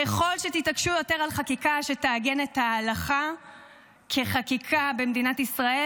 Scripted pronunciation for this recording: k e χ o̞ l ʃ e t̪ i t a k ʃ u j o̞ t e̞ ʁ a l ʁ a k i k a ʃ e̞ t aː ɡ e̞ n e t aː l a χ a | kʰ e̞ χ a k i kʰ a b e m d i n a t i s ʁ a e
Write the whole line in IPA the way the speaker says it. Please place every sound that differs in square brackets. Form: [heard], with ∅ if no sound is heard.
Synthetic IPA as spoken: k e χ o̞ l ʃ e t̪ i t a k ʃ u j o̞ t e̞ ʁ a l [χ] a k i k a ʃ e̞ t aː ɡ e̞ n e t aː l a χ a | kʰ e̞ χ a k i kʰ a b e m d i n a t i s ʁ a e